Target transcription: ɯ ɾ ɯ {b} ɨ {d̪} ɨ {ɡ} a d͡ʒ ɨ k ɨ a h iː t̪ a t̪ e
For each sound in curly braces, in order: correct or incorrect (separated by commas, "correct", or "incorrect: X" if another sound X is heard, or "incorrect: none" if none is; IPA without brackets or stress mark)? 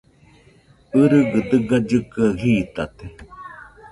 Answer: incorrect: ɡ, correct, correct